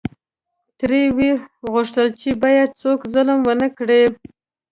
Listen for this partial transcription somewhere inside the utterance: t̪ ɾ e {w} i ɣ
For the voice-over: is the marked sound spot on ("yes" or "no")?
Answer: yes